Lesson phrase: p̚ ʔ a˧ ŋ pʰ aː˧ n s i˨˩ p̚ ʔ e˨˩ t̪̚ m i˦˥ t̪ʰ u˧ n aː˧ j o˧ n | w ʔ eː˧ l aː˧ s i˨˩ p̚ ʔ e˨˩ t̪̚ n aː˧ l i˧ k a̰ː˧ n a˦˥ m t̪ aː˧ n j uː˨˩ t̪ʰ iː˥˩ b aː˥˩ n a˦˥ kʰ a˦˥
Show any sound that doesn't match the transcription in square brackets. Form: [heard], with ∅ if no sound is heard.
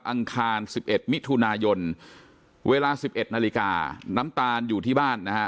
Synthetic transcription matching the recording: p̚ ʔ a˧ ŋ [kʰ] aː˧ n s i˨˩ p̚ ʔ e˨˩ t̪̚ m i˦˥ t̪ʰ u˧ n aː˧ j o˧ n | w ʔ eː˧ l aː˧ s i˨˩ p̚ ʔ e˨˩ t̪̚ n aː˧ l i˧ k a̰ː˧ n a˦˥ m t̪ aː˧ n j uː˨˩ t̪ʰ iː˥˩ b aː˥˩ [nː] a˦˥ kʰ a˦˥

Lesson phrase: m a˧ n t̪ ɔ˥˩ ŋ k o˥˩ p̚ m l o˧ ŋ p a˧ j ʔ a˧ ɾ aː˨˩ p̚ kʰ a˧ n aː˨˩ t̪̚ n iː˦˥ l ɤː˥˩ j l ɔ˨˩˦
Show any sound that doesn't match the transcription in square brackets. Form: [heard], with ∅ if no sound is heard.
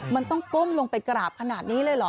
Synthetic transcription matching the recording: m a˧ n t̪ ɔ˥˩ ŋ k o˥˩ [∅] m l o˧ ŋ p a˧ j [k] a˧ ɾ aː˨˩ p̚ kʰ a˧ n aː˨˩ t̪̚ n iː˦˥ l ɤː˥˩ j l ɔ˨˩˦

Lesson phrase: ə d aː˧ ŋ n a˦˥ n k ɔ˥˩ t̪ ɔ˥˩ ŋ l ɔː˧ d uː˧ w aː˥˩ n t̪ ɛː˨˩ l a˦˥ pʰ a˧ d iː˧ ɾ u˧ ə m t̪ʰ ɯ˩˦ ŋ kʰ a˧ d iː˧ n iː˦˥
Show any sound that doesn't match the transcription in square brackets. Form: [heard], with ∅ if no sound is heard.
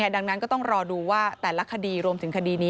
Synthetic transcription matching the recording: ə d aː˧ ŋ n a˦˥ n k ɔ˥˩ t̪ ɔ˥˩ ŋ [ɾ] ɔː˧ d uː˧ w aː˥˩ [∅] t̪ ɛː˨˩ l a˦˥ [kʰ] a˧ d iː˧ ɾ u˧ ə m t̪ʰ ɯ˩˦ ŋ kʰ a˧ d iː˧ n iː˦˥

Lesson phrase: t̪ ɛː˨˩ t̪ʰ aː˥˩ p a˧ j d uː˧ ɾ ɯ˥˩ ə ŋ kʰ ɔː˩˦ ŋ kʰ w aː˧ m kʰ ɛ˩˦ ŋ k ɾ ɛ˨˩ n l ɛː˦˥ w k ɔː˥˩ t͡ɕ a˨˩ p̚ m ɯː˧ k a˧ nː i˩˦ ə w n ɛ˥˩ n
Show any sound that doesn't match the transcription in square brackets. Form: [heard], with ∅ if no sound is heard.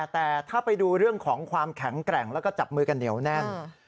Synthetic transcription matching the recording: t̪ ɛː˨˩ t̪ʰ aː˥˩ p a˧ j d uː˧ ɾ ɯ˥˩ ə ŋ kʰ ɔː˩˦ ŋ kʰ w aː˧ m kʰ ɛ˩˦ ŋ k ɾ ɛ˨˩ [ŋ] l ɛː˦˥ w k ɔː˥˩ t͡ɕ a˨˩ p̚ m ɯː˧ k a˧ nː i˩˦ ə w n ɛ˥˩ n

